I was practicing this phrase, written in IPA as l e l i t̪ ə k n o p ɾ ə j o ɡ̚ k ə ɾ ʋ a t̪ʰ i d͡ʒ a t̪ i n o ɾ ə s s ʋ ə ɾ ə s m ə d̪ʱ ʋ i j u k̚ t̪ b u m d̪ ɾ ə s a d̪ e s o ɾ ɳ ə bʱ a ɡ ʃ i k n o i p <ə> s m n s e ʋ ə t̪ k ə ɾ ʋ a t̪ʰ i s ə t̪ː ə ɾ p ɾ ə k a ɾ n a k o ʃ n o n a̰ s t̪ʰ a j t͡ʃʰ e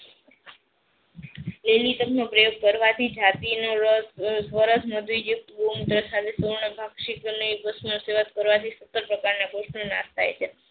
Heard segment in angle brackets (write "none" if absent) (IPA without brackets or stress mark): ə